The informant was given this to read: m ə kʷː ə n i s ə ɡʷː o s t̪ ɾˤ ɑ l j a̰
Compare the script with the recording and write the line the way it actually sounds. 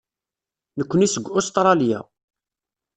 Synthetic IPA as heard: n ə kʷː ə n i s ə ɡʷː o s t̪ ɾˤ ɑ l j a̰

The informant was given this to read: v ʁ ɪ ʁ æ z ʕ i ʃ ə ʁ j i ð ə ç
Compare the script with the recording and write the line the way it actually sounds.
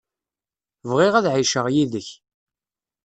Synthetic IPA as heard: v ʁ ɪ ʁ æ ð ʕ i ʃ ə ʁ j i ð ə ç

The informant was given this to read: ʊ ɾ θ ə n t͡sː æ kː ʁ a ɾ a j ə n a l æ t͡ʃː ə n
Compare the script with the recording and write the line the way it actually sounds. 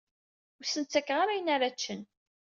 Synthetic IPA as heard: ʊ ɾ s ə n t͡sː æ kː ʁ a ɾ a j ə n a ɾ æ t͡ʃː ə n

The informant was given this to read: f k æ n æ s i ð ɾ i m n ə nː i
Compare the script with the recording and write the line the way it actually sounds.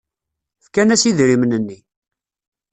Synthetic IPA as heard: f k æ n æ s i ð ɾ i m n ə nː i

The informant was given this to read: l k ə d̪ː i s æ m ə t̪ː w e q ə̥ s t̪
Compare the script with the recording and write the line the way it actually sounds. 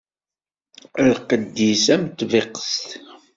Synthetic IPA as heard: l q ə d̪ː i s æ m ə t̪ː v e q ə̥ s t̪

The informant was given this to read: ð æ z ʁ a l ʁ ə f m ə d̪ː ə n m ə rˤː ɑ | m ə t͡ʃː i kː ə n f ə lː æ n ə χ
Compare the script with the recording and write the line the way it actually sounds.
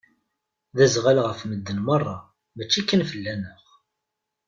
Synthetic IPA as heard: ð æ z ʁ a l ʁ ə f m ə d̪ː ə n m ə rˤː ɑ | m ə t͡ʃː i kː ə n f ə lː æ n ə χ

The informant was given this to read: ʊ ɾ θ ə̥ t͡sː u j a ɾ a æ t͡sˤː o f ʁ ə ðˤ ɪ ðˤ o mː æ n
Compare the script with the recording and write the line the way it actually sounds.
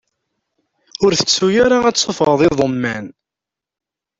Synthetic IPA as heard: ʊ ɾ θ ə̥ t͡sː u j a ɾ a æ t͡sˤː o f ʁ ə ðˤ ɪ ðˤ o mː æ n

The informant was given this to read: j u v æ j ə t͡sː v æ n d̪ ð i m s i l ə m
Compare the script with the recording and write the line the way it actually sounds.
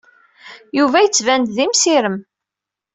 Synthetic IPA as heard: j u v æ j ə t͡sː v æ n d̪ ð i m s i ɾ ə m

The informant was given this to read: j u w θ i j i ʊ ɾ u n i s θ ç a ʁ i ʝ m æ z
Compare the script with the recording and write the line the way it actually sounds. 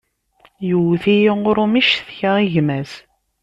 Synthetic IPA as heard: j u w θ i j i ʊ ɾ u m i ʃ θ ç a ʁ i ʝ m æ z

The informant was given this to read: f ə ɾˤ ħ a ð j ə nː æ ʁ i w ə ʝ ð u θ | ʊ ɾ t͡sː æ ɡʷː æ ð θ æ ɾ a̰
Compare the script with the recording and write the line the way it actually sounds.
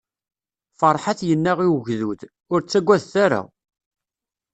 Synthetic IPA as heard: f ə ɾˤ ħ a θ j ə nː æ ʁ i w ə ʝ ð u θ | ʊ ɾ t͡sː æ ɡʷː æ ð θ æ ɾ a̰

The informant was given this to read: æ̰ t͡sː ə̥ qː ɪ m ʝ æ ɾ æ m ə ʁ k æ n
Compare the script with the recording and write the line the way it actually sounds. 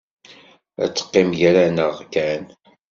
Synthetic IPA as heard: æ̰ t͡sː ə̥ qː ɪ m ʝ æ ɾ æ n ə ʁ k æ n

